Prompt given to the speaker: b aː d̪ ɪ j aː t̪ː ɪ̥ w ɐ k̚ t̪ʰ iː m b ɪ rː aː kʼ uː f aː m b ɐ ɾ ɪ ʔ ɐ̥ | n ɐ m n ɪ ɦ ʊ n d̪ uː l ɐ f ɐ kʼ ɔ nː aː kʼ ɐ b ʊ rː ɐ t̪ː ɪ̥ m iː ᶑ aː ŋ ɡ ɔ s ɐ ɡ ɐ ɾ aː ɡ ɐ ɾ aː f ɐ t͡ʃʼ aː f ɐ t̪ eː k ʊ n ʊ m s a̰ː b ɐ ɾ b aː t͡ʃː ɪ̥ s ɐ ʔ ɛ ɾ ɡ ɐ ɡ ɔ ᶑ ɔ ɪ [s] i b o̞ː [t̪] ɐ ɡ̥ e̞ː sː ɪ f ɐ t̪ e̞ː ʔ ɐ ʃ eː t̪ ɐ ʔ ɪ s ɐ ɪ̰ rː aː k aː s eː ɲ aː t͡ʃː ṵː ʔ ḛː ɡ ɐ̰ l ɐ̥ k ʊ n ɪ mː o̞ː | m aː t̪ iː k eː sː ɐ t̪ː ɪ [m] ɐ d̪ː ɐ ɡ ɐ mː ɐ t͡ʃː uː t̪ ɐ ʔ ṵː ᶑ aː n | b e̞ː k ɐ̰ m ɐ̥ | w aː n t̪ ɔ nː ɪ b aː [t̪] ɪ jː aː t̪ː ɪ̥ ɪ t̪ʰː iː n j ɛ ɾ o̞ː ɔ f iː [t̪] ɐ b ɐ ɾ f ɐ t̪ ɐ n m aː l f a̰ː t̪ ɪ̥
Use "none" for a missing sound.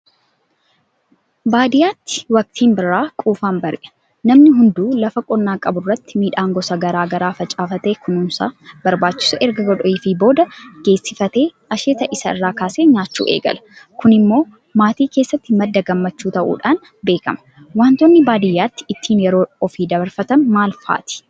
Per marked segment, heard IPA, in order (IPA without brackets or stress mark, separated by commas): f, d̪, m, d̪, d̪